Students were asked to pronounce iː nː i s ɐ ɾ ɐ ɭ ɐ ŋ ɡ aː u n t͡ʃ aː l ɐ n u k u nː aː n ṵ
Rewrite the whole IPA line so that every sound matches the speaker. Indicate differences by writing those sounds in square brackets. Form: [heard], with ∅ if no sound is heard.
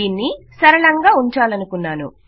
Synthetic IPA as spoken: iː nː i s ɐ ɾ ɐ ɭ ɐ ŋ ɡ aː u [ɲ] t͡ʃ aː l ɐ n u k u nː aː n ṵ